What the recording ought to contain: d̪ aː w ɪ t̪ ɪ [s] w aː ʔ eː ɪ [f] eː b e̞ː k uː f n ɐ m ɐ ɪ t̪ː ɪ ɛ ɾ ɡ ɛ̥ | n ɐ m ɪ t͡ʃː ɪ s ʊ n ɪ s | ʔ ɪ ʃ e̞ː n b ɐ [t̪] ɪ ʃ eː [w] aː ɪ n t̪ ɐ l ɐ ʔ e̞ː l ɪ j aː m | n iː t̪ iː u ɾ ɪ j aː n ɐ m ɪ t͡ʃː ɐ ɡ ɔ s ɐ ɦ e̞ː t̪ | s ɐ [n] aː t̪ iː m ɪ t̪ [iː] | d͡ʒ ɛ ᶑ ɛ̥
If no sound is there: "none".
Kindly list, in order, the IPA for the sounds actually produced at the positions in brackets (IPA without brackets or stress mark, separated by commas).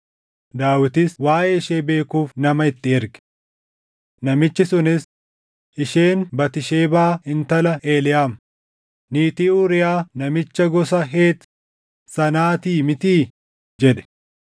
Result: s, ʃ, t̪, b, n, iː